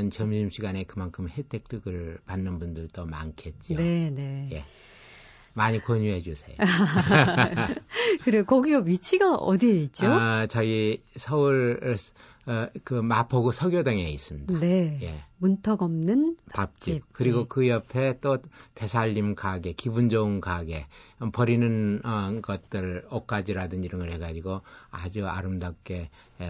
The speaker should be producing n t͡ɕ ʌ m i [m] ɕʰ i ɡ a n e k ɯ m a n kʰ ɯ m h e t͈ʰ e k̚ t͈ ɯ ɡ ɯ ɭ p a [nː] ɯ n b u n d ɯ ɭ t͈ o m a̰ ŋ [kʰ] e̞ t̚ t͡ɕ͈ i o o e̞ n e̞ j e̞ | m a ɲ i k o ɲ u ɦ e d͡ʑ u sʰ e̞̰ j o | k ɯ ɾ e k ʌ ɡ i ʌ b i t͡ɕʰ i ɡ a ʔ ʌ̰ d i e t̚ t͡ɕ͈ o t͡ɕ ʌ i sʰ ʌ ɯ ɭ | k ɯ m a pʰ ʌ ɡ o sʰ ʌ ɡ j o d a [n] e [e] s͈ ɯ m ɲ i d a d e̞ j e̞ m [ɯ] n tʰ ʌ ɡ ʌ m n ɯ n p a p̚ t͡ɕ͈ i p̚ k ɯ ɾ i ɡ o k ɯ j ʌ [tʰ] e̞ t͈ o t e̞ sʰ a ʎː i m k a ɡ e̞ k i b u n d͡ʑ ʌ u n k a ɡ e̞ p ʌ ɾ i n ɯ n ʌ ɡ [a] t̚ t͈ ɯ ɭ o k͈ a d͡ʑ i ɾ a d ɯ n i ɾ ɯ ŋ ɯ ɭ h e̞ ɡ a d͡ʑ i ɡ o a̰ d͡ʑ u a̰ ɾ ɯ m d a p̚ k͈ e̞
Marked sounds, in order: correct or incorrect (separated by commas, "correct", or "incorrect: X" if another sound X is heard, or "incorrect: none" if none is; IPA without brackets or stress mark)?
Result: correct, correct, correct, incorrect: ŋ, incorrect: i, incorrect: u, incorrect: pʰ, incorrect: ʌ